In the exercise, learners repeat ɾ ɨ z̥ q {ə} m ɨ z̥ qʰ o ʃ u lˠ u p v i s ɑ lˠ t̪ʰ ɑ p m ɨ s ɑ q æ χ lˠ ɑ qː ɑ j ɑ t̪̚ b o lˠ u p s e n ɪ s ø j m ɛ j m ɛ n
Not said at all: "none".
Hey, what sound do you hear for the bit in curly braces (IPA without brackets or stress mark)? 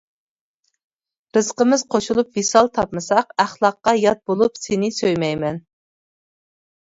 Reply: ə